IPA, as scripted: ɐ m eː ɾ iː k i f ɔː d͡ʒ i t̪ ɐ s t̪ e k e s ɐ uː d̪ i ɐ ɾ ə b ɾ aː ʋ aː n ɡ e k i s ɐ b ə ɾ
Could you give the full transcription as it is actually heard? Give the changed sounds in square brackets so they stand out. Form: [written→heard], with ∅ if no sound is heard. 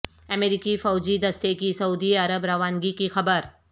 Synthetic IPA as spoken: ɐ m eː ɾ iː k i f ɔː d͡ʒ i [t̪→d̪] ɐ s t̪ e k [e→i] s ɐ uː d̪ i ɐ ɾ ə b ɾ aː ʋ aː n ɡ [e→i] k i [s→x] ɐ b ə ɾ